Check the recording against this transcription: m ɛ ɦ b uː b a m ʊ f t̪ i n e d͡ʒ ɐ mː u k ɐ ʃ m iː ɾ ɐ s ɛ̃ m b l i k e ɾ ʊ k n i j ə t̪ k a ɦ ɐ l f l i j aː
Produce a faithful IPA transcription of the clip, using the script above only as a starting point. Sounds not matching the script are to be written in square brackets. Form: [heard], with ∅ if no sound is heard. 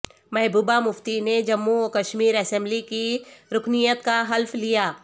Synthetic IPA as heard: m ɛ ɦ b uː b a m ʊ f t̪ i n e d͡ʒ ɐ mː u k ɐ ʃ m iː ɾ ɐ s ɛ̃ m b l i k [i] ɾ ʊ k n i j ə t̪ k a ɦ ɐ l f l i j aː